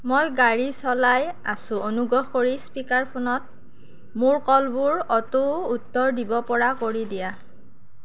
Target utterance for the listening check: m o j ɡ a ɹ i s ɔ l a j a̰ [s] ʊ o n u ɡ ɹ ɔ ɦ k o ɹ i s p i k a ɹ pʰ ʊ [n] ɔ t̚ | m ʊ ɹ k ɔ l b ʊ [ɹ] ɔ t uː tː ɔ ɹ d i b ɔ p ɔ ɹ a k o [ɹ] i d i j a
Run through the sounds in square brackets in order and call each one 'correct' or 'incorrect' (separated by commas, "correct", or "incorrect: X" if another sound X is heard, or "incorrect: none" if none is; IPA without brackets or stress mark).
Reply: correct, correct, correct, correct